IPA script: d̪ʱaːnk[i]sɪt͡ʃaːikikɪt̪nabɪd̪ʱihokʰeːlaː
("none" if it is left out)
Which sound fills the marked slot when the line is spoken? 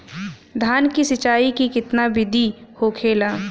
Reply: i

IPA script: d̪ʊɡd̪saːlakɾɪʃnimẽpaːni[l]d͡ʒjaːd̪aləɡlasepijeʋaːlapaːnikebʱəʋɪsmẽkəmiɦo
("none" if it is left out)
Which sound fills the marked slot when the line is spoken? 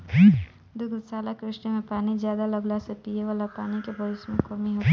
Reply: none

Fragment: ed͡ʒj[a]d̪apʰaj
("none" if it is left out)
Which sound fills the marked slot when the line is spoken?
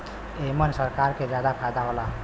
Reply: a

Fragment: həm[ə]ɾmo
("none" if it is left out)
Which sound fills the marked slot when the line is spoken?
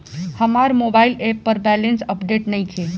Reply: a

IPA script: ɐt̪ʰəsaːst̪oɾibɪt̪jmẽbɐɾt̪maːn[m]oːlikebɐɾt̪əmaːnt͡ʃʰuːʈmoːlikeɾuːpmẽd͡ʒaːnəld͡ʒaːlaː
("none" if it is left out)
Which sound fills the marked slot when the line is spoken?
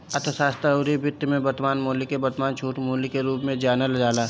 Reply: m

